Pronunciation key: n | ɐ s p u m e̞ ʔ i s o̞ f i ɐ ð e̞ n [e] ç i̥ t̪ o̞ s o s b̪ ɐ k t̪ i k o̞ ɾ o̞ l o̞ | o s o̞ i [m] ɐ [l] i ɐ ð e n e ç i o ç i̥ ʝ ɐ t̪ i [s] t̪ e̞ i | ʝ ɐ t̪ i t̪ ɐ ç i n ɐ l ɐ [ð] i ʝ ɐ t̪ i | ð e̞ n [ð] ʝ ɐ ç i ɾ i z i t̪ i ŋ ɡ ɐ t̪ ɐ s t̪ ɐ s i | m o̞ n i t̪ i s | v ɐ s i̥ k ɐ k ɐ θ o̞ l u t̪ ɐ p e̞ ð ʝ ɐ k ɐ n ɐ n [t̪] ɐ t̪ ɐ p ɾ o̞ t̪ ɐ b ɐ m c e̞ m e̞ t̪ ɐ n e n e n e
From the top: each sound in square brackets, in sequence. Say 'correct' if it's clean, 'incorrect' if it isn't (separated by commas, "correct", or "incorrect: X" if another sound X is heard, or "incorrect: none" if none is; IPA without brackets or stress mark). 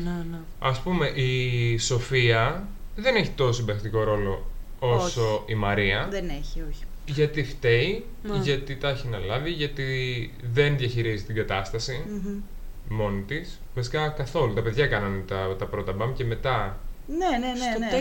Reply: correct, correct, incorrect: ɾ, incorrect: f, incorrect: v, correct, correct